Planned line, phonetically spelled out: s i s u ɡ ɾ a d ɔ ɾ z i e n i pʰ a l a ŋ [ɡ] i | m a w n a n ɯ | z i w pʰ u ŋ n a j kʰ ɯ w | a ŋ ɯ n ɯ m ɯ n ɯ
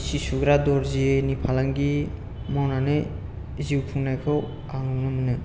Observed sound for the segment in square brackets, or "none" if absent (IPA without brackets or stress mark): ɡ